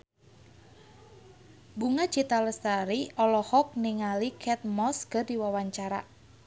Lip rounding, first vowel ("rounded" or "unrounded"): rounded